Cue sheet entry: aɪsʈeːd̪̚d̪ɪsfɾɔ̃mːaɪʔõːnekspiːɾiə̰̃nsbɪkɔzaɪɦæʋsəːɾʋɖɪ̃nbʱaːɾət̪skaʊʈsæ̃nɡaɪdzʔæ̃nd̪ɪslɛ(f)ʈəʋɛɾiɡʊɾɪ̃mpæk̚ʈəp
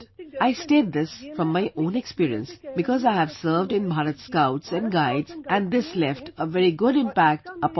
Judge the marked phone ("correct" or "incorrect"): correct